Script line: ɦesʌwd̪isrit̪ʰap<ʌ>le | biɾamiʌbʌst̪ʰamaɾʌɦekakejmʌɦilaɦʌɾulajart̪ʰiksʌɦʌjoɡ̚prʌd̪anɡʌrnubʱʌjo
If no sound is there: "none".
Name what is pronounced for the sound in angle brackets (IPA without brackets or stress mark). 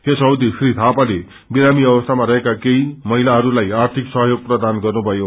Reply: a